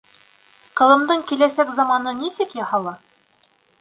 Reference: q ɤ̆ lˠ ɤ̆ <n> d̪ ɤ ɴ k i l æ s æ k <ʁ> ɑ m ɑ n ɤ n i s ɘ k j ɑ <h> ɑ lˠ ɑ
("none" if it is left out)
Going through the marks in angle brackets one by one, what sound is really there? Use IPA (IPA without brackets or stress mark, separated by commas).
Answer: m, z, h